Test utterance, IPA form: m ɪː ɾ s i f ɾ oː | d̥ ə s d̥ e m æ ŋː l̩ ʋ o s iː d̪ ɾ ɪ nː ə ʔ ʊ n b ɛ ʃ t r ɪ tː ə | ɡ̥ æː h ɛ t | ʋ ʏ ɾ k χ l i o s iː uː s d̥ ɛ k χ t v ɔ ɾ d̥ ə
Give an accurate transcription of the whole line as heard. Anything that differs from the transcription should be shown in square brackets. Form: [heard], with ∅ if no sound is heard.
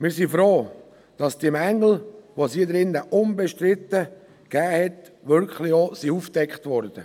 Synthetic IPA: m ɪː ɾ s i f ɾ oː | d̥ [ɑ] s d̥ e m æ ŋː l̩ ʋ o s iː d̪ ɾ ɪ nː ə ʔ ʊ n b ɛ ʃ t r ɪ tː ə | ɡ̥ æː h ɛ t | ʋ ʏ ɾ k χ l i o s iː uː [f] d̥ ɛ k χ t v ɔ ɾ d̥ ə

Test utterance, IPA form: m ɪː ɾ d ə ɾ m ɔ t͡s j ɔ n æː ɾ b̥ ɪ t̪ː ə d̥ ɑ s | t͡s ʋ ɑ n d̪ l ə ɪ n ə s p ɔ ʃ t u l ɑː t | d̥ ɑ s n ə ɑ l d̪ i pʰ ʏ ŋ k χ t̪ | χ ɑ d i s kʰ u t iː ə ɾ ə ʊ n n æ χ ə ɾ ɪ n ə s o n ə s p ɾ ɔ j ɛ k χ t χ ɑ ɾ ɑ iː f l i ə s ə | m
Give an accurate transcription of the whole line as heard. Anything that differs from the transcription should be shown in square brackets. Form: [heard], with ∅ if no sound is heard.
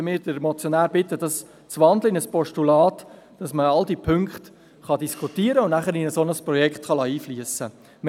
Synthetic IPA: m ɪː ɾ d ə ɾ m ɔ t͡s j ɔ n æː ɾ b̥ ɪ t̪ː ə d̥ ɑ s | t͡s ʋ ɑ n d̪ l ə ɪ n ə s p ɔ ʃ t u l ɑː t | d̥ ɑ s [m] ə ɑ l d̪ i pʰ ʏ ŋ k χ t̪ | χ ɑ d i s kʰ u t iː ə ɾ ə ʊ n n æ χ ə ɾ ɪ n ə s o n ə s p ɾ ɔ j ɛ k χ t χ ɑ [l] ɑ iː f l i ə s ə | m

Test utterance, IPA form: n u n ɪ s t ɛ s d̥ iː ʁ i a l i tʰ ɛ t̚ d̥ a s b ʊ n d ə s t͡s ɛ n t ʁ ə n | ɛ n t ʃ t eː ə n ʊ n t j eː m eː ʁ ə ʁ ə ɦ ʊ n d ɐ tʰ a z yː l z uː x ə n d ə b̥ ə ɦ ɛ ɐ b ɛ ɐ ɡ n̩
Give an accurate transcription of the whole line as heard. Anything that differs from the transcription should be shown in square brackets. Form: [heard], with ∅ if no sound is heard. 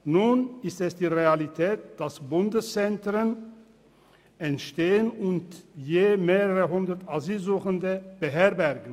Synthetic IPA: n u n ɪ s t ɛ s d̥ iː ʁ [e] a l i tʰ [ɛː] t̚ d̥ a s b ʊ n d ə s t͡s ɛ n t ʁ ə n | ɛ n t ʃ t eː ə n ʊ n t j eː m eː ʁ ə ʁ ə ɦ ʊ n d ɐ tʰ a z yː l z uː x ə n d ə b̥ ə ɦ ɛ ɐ b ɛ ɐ ɡ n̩

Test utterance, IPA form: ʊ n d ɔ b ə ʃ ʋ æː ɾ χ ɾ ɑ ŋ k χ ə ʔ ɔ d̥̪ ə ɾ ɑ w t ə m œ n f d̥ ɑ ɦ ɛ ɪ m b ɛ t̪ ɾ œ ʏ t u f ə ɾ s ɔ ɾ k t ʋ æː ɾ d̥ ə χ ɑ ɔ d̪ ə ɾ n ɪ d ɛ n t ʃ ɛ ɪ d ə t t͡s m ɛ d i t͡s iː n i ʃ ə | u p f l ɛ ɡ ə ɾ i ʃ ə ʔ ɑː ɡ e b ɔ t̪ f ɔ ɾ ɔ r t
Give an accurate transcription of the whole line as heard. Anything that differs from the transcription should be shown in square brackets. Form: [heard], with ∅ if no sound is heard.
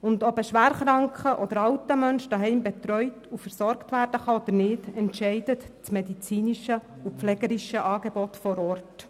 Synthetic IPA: ʊ n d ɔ b ə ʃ ʋ æː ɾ χ ɾ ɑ ŋ k χ ə ʔ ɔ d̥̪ ə ɾ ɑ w t ə m œ n [ʃ] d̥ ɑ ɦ ɛ ɪ m b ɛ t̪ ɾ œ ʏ t u f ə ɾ s ɔ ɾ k t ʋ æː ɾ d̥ ə χ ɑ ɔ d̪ ə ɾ n ɪ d ɛ n t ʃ ɛ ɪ d ə t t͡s m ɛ d i t͡s iː n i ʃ ə | u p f l ɛ ɡ ə ɾ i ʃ ə ʔ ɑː ɡ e b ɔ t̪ f ɔ ɾ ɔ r t

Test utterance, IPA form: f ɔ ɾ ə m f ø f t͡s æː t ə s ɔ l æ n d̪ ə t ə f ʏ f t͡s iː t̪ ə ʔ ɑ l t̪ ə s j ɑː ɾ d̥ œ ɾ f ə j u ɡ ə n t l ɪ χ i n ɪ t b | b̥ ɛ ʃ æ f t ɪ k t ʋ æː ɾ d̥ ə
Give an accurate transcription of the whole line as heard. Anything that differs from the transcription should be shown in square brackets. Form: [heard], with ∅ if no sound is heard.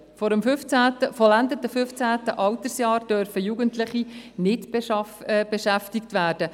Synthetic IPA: f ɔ ɾ ə m f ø f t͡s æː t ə [f] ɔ l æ n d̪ ə t ə f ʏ f t͡s [æː] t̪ ə ʔ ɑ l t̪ ə s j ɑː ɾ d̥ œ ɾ f ə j u ɡ ə n t l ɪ χ i n ɪ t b | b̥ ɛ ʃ æ f t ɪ k t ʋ æː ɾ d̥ ə

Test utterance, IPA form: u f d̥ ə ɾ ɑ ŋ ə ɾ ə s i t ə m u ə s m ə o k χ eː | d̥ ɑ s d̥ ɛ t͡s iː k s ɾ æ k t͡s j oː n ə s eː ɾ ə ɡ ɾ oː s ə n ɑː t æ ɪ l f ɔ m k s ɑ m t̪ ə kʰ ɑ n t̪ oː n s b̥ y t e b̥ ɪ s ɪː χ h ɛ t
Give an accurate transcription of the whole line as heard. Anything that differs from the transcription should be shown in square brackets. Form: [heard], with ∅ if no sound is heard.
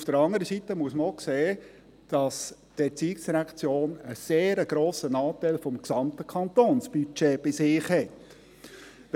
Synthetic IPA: u f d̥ ə ɾ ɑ ŋ ə ɾ ə s i t ə m u ə s m ə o k [s] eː | d̥ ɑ s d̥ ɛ t͡s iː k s ɾ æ k t͡s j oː n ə s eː ɾ ə ɡ ɾ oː s ə n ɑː t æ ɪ l f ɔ m k s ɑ m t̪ ə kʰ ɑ n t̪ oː n s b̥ y [t͡ʃ] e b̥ ɪ s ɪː χ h ɛ t

